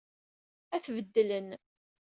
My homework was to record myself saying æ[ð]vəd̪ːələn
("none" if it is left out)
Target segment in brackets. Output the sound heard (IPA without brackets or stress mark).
θ